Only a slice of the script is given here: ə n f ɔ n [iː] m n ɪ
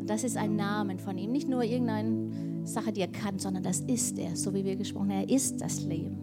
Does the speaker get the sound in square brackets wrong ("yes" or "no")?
no